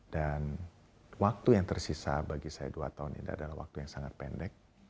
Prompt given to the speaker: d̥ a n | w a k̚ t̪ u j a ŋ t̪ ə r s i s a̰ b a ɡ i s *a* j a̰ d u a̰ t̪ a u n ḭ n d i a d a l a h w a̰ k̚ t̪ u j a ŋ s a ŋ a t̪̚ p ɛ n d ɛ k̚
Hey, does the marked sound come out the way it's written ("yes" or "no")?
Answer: yes